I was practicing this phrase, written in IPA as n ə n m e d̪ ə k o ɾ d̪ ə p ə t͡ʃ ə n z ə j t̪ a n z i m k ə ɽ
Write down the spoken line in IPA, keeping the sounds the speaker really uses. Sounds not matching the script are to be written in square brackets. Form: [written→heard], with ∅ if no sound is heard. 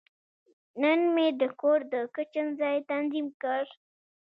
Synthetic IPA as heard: n ə n m e d̪ ə k o ɾ d̪ ə [p→k] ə t͡ʃ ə n z [ə→ɑ] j t̪ a n z i m k ə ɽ